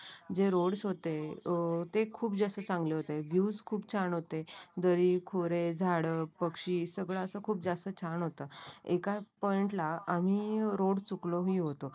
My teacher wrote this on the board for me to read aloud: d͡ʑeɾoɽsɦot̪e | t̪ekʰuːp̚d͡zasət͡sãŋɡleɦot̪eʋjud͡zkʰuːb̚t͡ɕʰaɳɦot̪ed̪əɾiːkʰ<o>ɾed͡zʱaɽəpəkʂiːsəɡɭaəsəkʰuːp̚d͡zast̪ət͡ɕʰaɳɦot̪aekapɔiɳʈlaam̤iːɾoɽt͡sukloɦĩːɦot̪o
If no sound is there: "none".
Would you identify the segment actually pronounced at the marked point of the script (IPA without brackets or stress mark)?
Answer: o